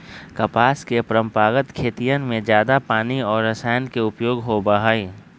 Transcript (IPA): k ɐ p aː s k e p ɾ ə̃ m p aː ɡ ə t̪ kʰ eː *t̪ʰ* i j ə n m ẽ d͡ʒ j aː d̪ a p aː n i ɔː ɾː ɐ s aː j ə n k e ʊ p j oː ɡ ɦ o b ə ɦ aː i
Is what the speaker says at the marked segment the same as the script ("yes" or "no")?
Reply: no